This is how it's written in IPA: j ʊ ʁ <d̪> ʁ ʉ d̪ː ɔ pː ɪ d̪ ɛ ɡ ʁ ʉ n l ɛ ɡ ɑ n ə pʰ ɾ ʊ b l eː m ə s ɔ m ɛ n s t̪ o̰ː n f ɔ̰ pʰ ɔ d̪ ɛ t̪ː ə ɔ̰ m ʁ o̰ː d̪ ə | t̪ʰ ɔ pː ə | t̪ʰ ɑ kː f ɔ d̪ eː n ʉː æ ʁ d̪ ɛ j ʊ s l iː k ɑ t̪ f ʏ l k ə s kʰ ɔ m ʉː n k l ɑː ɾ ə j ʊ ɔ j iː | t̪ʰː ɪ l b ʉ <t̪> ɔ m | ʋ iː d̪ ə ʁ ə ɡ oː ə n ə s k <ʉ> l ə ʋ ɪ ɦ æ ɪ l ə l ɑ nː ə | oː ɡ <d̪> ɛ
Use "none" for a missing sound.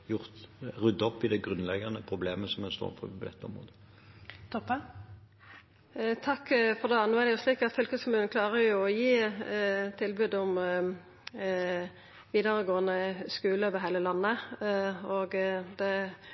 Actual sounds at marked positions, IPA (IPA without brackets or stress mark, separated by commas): t̪, d̪, ʉː, d̪